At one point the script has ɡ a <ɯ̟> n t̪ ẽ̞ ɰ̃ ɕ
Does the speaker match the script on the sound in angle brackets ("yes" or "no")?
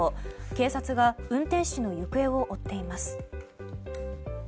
no